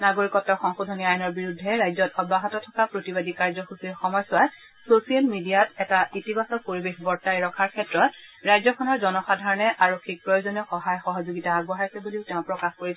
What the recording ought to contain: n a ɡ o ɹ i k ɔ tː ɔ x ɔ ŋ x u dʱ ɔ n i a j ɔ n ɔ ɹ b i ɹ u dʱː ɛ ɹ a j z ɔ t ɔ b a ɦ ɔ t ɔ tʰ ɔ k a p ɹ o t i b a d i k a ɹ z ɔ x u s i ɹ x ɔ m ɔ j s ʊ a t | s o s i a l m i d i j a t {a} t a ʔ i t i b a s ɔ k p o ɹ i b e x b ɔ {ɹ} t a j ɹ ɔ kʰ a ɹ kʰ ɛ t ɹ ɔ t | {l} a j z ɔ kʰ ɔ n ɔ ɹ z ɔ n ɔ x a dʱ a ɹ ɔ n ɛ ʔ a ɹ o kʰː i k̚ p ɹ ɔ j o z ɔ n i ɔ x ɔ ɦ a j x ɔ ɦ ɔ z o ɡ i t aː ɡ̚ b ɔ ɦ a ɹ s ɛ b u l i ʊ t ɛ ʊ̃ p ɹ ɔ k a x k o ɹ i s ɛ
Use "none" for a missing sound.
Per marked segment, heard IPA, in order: ɛ, ɹ, ɹ

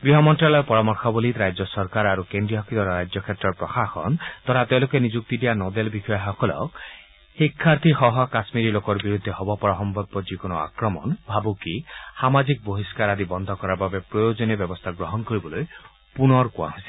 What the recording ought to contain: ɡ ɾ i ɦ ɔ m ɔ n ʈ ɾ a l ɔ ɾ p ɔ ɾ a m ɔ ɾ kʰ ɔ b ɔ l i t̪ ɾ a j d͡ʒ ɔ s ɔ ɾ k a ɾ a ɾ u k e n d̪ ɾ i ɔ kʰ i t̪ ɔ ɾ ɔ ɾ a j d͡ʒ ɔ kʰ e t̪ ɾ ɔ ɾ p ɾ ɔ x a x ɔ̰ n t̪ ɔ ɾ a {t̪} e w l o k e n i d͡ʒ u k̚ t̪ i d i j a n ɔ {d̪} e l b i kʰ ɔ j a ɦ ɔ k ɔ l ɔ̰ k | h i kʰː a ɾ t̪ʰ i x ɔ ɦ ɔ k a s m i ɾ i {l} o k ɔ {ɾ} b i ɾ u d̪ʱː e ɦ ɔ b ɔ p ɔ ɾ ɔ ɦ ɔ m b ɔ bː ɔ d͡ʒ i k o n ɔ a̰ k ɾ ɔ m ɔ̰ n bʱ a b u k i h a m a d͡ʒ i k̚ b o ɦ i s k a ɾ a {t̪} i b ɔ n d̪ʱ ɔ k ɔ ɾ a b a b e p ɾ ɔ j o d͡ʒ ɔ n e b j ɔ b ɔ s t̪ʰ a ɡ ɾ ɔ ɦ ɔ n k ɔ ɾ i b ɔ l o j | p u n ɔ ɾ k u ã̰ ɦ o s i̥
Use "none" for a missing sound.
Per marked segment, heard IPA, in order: t̪, d̪, l, ɾ, d̪

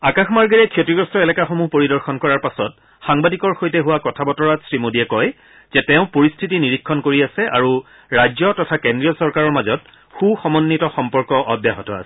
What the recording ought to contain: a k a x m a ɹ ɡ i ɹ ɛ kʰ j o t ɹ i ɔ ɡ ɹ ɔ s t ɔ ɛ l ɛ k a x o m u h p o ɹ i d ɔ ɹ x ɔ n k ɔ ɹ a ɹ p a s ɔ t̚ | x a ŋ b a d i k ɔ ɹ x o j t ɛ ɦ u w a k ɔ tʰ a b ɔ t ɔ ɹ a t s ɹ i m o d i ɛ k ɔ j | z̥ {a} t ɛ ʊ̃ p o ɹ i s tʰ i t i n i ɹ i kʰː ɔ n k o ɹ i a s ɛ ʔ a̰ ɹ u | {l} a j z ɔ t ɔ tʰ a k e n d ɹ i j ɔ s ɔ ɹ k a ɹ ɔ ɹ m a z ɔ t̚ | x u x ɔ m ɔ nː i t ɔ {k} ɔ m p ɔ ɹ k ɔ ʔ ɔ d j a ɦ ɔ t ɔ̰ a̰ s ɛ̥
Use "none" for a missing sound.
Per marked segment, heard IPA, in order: ɛ, ɹ, x

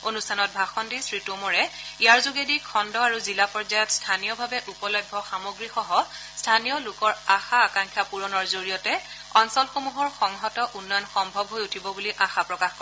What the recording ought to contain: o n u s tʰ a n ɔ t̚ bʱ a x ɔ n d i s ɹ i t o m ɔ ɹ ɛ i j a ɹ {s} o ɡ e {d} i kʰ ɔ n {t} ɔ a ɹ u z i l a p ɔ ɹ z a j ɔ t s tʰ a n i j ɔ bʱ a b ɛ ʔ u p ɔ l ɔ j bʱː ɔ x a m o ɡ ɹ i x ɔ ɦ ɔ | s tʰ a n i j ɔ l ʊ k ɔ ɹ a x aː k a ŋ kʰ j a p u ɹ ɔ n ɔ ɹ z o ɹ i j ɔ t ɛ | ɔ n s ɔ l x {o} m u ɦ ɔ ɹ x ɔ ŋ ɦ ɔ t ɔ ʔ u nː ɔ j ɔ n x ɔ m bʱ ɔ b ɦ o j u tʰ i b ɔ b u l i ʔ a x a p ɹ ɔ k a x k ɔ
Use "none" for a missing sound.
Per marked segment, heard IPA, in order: z, d, d, o

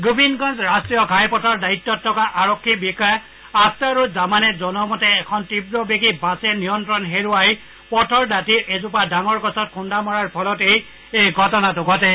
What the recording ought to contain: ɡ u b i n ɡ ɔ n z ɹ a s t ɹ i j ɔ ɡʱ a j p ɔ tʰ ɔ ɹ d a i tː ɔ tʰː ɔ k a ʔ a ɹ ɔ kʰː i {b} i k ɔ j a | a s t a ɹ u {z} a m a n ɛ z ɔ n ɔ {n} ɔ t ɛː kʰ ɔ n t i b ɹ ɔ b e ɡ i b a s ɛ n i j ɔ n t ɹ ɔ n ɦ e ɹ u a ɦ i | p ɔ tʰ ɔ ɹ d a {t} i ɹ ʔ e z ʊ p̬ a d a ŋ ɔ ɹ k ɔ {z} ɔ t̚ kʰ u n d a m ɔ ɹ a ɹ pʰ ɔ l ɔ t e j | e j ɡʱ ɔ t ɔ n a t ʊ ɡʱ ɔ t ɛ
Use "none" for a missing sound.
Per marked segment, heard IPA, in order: b, z, m, t, s

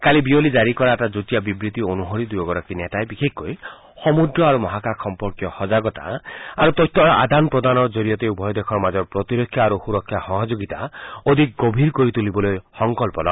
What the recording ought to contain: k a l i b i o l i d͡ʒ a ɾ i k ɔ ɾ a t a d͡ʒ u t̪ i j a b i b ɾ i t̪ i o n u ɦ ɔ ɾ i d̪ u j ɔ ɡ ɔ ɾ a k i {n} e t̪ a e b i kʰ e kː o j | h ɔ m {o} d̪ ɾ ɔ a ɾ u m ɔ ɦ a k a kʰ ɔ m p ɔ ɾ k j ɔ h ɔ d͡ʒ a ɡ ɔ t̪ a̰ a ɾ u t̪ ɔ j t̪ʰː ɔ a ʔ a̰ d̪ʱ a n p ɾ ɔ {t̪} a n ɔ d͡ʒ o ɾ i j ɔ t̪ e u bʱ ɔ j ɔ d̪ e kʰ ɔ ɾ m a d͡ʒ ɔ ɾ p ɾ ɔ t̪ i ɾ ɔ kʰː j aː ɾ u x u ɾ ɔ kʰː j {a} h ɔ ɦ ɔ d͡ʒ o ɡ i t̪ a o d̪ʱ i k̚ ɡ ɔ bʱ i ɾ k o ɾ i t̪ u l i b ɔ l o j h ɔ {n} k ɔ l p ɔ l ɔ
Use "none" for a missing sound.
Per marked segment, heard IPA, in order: n, u, d̪, a, ŋ

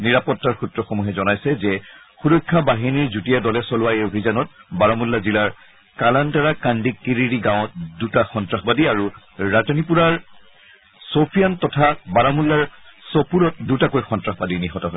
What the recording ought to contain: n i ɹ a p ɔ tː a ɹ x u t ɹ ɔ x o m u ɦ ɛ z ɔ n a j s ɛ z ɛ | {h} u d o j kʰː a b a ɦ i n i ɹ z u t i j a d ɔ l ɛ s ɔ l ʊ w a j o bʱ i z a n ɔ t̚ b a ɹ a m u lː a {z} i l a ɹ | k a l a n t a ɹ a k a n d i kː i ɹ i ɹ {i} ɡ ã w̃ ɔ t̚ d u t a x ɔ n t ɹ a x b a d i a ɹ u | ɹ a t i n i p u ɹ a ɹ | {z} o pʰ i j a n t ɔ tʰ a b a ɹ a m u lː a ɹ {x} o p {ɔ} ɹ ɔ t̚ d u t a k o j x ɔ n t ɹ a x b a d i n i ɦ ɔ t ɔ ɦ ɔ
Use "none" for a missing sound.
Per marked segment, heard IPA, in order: x, z, i, s, s, u

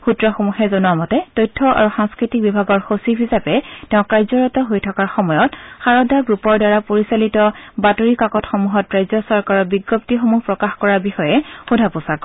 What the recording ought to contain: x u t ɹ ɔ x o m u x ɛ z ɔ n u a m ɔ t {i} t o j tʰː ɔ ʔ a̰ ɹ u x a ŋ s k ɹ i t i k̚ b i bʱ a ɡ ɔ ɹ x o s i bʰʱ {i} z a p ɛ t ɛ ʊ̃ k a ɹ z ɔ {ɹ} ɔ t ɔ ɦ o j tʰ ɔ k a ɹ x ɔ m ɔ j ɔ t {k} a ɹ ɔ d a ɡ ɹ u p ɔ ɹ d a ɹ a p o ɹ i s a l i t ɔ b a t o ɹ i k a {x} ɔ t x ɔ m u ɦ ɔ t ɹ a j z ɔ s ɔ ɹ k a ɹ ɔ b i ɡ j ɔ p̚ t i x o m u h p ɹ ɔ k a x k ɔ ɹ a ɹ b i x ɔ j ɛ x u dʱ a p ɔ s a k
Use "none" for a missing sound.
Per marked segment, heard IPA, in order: ɛ, i, ɹ, x, k

